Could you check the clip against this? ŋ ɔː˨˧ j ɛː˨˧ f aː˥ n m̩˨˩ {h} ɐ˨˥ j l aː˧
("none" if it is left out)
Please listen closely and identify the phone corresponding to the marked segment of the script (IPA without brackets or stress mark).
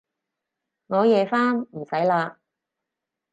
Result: s